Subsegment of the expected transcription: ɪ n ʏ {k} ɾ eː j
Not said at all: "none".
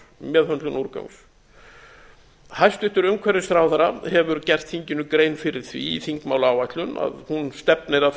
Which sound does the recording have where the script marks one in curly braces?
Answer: k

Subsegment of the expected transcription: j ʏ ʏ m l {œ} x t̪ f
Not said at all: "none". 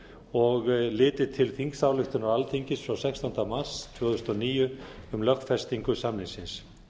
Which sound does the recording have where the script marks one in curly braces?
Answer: œ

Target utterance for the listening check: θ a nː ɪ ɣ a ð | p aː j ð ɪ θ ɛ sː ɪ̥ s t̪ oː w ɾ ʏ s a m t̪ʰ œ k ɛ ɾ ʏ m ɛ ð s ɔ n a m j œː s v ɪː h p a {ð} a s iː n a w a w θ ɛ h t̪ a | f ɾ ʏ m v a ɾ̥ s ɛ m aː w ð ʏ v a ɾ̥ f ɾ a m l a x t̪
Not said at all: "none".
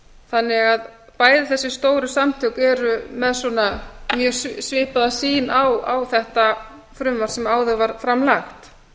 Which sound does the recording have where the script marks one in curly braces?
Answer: ð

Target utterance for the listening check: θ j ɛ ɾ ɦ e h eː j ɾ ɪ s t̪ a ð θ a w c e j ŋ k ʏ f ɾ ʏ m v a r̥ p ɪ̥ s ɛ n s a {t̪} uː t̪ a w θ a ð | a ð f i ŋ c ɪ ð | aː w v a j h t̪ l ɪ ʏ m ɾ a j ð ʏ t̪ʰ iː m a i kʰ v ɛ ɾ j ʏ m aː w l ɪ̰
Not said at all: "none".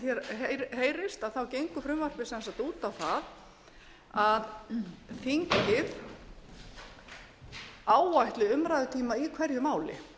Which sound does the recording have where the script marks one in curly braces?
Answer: t̪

